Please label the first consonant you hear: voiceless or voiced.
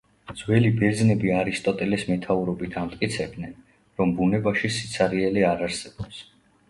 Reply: voiced